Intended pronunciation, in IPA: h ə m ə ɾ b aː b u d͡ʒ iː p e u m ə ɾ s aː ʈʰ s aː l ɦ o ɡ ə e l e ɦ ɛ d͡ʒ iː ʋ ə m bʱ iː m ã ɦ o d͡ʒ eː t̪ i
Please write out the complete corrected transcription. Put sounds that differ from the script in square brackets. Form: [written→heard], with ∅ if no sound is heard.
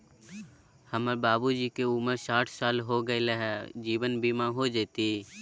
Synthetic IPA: h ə m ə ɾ b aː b u d͡ʒ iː [p→k] e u m ə ɾ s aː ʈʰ s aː l ɦ o ɡ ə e l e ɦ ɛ d͡ʒ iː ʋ ə [m→n] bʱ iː m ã ɦ o d͡ʒ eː t̪ i